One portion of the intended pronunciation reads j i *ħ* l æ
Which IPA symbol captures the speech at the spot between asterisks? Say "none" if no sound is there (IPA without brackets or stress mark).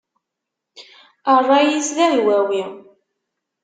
s